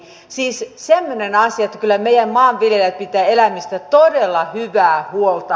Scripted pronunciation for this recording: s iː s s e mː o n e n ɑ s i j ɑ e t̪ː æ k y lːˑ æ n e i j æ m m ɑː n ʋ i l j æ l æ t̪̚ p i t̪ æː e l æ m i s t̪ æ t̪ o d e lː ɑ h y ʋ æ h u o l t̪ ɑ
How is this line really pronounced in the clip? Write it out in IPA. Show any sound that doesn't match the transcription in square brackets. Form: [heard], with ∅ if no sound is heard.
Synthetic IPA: s iː s s e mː o n e n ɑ s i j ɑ e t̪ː æ k y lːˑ æ [m] e i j æ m m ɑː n ʋ i l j [e] l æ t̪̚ p i t̪ æː e l æ m i s t̪ æ t̪ o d e lː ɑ h y ʋ [æː] h u o l t̪ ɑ